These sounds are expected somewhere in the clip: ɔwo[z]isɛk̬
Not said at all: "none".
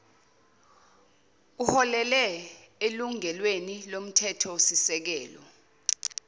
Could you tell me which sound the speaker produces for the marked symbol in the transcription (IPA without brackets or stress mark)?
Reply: s